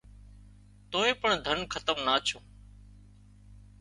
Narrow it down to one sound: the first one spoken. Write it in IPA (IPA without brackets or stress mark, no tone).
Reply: t̪